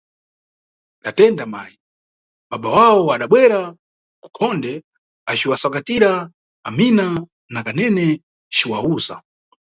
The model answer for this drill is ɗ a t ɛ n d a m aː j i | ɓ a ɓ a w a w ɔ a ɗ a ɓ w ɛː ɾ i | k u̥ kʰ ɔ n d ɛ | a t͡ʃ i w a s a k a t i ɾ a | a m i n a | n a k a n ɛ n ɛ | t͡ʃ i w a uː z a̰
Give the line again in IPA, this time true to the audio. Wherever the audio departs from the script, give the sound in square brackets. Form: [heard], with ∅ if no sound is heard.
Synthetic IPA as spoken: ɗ a t ɛ n d a m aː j i | ɓ a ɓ a w a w ɔ a ɗ a ɓ w [ɛ] ɾ [a] | k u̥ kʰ ɔ n d ɛ | a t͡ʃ i w a s a k a t i ɾ a | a m i n a | n a k a n ɛ n ɛ | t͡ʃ i w a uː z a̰

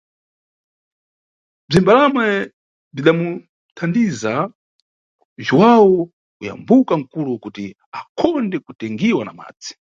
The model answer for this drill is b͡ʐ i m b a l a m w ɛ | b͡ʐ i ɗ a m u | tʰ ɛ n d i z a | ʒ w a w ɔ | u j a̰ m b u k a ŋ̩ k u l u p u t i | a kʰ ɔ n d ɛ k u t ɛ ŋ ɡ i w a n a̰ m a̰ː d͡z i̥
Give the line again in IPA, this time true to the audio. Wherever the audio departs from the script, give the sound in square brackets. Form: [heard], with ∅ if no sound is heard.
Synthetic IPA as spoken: b͡ʐ i m b a l a m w ɛ | b͡ʐ i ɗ a m u | tʰ [a] n d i z a | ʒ w a w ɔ | u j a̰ m b u k a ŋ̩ k u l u [k] u t i | a kʰ ɔ n d ɛ k u t ɛ ŋ ɡ i w a n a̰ m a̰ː d͡z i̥

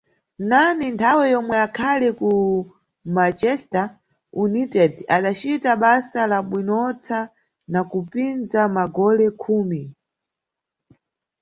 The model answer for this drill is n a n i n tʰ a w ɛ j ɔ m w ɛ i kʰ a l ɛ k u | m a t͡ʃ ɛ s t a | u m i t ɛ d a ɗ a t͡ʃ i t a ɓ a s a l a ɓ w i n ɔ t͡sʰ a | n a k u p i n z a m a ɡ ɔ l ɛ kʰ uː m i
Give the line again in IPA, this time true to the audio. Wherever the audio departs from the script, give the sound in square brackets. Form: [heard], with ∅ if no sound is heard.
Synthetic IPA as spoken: n a n i n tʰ a w ɛ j ɔ m w ɛ [a] kʰ a l ɛ k u | m a t͡ʃ ɛ s t a | u [n] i t ɛ d a ɗ a t͡ʃ i t a ɓ a s a l a ɓ w i n ɔ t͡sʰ a | n a k u p i n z a m a ɡ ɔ l ɛ kʰ uː m i

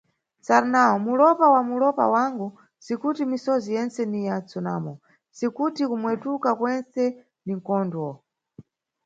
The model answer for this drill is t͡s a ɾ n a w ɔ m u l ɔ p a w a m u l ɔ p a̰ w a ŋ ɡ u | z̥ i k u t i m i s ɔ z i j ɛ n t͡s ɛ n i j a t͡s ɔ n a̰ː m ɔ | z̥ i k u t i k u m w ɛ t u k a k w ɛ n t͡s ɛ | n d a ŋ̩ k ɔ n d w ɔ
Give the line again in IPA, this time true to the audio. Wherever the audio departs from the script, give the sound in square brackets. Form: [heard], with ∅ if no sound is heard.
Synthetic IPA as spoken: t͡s a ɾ n a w ɔ m u l ɔ p a w a m u l ɔ p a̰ w a ŋ ɡ u | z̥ i k u t i m i s ɔ z i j ɛ n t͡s ɛ n i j a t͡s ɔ n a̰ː m ɔ | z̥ i k u t i k u m w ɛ t u k a k w ɛ n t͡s ɛ | n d [i] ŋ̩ k ɔ n d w ɔ

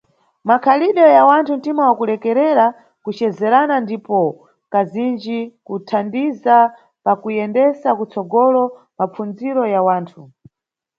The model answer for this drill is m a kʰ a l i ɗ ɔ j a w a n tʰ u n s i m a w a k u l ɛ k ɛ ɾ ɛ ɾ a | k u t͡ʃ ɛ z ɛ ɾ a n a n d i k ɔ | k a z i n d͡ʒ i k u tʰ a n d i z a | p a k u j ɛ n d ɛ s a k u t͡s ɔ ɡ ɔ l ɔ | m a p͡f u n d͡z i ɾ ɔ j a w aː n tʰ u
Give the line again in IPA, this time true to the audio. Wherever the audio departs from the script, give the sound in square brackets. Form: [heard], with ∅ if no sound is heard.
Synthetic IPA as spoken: m a kʰ a l i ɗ ɔ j a w a n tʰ u n [t] i m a w a k u l ɛ k ɛ ɾ ɛ ɾ a | k u t͡ʃ ɛ z ɛ ɾ a n a n d i [p] ɔ | k a z i n d͡ʒ i k u tʰ a n d i z a | p a k u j ɛ n d ɛ s a k u t͡s ɔ ɡ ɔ l ɔ | m a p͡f u n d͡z i ɾ ɔ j a w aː n tʰ u

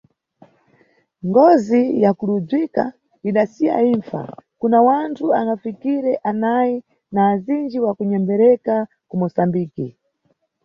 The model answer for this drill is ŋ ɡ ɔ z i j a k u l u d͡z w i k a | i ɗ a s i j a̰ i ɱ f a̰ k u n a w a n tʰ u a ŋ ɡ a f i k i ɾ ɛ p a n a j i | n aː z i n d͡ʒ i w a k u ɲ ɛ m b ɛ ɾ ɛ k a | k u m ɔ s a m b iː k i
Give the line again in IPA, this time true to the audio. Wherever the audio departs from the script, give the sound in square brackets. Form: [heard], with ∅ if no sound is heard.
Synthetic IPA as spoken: ŋ ɡ ɔ z i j a k u l u d͡z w i k a | i ɗ a s i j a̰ i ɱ f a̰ k u n a w a n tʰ u a ŋ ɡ a f i k i ɾ ɛ [ʔ] a n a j i | n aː z i n d͡ʒ i w a k u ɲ ɛ m b ɛ ɾ ɛ k a | k u m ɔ s a m b iː k i

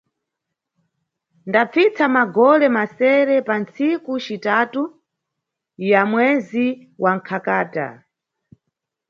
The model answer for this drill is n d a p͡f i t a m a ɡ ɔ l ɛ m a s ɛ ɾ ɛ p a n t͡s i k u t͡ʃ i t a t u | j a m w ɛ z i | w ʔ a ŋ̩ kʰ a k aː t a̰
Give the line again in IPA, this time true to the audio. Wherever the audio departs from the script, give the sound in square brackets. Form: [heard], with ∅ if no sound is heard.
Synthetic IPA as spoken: n d a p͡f i [t͡s] a m a ɡ ɔ l ɛ m a s ɛ ɾ ɛ p a n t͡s i k u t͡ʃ i t a t u | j a m w ɛ z i | w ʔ a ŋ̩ kʰ a k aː t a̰

